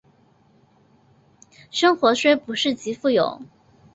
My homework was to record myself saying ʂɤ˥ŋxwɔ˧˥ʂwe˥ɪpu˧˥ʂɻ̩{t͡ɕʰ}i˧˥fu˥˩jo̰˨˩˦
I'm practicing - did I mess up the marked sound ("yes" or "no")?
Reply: yes